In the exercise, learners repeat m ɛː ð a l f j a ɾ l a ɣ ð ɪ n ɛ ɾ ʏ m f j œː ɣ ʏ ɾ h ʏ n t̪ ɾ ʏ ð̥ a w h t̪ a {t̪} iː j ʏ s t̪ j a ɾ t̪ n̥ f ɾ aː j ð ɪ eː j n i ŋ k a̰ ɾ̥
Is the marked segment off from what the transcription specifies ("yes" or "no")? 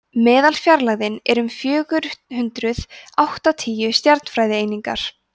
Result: yes